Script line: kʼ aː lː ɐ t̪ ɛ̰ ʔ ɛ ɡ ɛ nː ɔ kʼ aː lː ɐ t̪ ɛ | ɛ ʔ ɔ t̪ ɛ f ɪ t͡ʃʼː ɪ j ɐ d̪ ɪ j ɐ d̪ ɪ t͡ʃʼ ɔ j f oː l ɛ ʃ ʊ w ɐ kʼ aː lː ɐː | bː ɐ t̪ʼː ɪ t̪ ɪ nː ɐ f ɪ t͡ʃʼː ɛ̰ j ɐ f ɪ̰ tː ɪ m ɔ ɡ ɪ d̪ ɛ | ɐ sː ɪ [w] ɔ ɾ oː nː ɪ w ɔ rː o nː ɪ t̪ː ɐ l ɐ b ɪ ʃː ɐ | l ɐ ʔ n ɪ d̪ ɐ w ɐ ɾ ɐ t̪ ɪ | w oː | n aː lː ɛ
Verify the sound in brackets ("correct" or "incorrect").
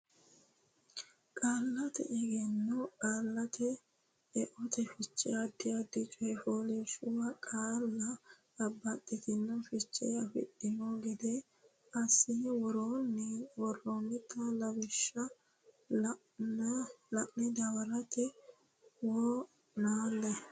correct